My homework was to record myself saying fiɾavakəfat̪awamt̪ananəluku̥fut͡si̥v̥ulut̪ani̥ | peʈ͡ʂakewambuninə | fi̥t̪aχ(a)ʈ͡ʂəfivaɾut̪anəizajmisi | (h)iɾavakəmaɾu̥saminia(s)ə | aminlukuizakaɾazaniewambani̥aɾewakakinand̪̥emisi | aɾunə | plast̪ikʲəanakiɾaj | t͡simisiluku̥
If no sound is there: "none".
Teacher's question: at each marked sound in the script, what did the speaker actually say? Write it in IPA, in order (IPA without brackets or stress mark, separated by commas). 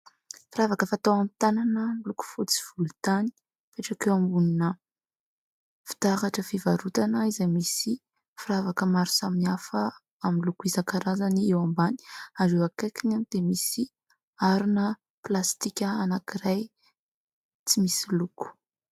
a, f, f